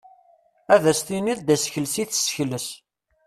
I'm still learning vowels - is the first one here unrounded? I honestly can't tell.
yes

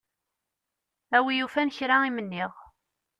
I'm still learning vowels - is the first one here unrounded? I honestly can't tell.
yes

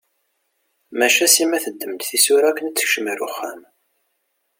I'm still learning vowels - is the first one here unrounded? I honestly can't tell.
yes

